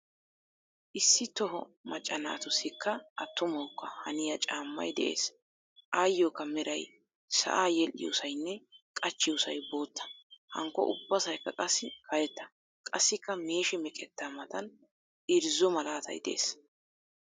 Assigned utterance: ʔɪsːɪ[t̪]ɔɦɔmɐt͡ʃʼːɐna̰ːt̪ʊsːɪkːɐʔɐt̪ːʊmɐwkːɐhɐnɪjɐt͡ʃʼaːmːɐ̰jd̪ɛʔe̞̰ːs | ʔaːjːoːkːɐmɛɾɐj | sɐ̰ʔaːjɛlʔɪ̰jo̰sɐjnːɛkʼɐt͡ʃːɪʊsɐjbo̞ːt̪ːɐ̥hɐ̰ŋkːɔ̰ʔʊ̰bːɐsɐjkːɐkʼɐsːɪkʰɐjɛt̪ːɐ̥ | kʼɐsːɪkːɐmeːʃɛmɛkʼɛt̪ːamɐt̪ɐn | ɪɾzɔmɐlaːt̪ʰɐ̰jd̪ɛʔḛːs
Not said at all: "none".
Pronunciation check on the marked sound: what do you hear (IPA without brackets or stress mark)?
t̪